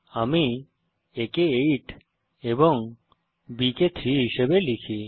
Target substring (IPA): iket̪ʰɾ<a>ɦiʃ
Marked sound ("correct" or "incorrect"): incorrect